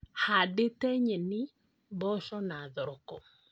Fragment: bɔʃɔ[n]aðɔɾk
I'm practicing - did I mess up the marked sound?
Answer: no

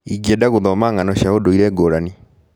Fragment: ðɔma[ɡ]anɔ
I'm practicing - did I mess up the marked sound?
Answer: yes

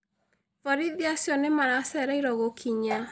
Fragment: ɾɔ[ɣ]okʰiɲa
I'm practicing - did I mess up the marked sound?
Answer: no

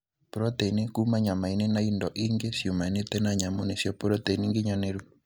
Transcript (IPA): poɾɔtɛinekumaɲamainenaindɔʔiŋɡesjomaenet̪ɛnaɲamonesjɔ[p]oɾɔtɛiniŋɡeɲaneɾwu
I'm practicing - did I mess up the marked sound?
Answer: no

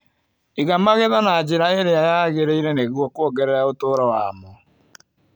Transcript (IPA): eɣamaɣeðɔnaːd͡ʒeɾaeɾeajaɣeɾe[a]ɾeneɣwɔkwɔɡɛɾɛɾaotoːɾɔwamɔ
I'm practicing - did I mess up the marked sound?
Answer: yes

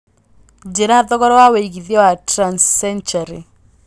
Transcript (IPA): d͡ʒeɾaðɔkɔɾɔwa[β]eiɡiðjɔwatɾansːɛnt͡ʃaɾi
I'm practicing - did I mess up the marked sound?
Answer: yes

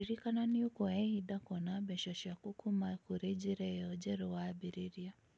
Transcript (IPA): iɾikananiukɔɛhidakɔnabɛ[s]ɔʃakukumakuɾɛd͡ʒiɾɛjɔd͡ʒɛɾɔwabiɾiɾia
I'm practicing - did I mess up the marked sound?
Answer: yes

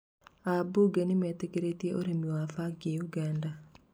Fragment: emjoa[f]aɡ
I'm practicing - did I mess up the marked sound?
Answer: no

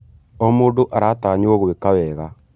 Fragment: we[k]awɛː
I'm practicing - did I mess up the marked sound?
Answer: no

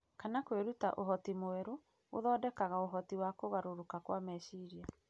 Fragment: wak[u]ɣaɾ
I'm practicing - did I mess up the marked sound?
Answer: yes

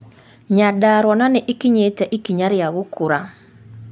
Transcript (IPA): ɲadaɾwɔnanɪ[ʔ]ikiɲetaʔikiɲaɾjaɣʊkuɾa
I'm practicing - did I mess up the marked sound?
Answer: no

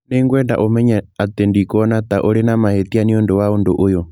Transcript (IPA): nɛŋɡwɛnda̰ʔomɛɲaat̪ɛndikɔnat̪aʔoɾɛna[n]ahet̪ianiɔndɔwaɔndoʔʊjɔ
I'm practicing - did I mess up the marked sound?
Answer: yes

